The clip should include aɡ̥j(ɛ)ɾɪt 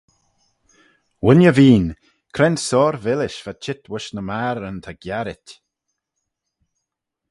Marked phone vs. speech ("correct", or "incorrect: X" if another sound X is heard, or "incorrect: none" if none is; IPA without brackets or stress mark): incorrect: a